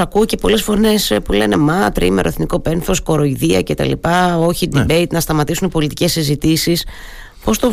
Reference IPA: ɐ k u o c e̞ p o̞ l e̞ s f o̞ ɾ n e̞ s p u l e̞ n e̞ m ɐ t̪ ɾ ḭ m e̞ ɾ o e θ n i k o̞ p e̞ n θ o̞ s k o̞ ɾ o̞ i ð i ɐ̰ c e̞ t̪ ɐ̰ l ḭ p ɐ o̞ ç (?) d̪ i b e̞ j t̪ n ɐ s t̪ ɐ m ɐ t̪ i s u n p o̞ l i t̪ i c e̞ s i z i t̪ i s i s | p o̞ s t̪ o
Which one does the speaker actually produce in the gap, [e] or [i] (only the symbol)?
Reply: i